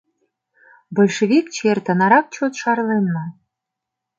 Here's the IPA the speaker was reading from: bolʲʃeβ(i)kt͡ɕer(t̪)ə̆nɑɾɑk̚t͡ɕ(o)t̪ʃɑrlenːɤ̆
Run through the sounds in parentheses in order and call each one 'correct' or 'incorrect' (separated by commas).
correct, correct, correct